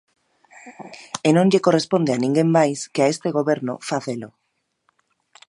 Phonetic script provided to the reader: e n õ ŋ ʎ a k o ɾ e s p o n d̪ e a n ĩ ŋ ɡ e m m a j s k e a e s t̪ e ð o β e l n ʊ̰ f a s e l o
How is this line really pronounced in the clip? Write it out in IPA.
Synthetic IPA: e n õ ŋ ʎ e k o r e s p o n d̪ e a n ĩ ŋ ɡ e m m a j s k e a e s t̪ e ɣ o β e ɾ n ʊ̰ f a θ e l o

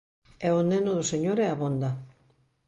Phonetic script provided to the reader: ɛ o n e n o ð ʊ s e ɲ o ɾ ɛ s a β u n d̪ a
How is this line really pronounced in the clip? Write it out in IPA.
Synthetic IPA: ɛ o n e n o ð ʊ s e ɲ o ɾ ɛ a β o n d̪ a

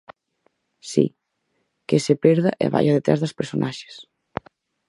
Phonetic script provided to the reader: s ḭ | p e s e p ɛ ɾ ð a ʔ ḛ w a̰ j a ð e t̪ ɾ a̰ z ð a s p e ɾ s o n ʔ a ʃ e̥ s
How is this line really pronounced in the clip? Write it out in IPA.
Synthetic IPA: s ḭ | k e s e p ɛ ɾ ð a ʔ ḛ β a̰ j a ð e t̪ ɾ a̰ z ð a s p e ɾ s o n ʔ a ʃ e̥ s

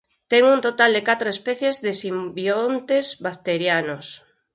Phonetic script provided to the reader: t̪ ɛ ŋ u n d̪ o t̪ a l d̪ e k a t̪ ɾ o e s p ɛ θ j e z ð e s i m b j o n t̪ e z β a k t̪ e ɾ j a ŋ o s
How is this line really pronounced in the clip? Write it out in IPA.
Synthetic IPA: t̪ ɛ ŋ u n t̪ o t̪ a l d̪ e k a t̪ ɾ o e s p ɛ θ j e z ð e s i m b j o n t̪ e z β a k t̪ e ɾ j a n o s

